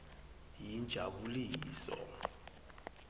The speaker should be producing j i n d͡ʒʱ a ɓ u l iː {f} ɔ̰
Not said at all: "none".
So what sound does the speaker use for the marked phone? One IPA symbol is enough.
s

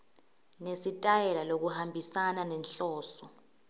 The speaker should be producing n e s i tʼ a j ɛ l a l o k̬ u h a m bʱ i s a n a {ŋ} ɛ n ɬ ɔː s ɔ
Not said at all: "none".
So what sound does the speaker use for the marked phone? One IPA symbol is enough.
n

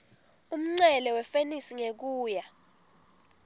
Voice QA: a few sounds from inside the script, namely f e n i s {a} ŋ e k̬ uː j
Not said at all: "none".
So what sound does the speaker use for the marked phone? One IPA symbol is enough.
i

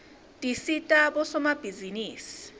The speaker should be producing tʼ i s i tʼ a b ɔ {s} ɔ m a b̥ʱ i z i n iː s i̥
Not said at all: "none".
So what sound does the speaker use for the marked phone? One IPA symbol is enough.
s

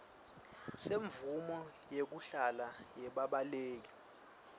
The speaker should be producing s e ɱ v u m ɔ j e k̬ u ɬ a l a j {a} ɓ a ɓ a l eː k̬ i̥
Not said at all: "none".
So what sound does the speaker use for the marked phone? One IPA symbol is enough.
ɛ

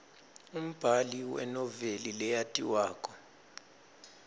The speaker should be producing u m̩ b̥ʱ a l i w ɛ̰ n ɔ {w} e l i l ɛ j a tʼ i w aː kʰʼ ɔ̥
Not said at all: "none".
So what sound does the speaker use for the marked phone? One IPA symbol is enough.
v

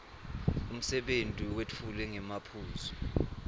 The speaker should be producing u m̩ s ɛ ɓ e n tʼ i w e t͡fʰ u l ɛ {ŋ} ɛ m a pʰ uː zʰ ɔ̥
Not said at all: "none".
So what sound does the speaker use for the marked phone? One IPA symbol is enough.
ŋ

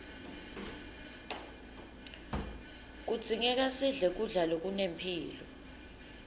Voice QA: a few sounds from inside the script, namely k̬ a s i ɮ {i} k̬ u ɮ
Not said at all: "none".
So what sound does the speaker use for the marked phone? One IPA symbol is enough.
ɛ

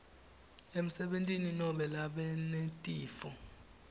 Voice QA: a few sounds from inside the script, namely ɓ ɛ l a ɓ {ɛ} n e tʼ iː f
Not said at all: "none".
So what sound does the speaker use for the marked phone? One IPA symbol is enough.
ɛ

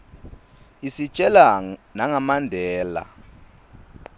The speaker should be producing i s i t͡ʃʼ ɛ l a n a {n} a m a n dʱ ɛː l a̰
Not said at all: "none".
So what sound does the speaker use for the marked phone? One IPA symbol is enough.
ŋ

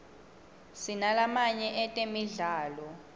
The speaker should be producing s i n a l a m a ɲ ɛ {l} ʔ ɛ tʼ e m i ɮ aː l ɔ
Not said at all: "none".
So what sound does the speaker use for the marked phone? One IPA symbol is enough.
none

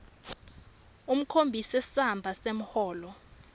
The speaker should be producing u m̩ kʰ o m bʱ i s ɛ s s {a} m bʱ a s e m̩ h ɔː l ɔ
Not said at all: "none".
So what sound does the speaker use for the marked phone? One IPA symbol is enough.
a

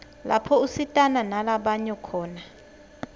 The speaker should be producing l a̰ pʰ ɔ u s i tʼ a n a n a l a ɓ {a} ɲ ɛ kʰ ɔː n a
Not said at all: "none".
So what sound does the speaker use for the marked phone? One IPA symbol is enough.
a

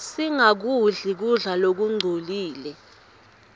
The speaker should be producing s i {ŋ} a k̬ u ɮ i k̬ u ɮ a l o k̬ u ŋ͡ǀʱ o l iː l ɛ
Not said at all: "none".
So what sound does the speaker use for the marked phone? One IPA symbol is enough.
ŋ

